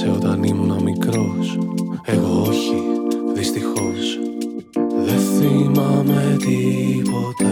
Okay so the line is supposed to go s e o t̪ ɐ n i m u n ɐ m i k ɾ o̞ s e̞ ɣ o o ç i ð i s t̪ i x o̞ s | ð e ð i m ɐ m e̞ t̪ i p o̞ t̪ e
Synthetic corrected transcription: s e o t̪ ɐ n i m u n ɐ m i k ɾ o̞ s e̞ ɣ o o ç i ð i s t̪ i x o̞ s | ð e θ i m ɐ m e̞ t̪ i p o̞ t̪ e